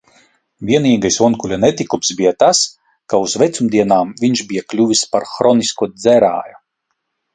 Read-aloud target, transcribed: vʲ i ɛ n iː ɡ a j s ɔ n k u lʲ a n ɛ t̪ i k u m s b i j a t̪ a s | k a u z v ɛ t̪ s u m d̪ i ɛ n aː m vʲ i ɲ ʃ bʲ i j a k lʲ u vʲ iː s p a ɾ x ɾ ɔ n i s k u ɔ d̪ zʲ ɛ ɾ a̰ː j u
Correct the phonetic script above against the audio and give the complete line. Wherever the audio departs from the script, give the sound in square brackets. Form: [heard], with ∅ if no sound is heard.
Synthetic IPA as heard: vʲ i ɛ n iː ɡ a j s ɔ n k u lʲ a n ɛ t̪ i k u m s b i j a t̪ a s | k a u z v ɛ t̪ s u m d̪ i ɛ n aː m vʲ i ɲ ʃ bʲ i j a k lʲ u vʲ [i] s p a ɾ x ɾ ɔ n i s k u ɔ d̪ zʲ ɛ ɾ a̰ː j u